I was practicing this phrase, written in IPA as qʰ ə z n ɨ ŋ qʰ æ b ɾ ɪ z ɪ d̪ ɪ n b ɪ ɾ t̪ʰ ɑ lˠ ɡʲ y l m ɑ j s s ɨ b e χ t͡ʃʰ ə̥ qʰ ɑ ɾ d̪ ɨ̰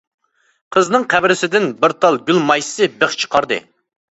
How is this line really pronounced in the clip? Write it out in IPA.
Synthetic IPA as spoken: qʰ ə z n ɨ ŋ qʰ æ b ɾ ɪ s ɪ d̪ ɪ n b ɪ ɾ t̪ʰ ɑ lˠ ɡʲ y l m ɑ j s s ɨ b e χ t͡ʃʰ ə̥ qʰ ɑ ɾ d̪ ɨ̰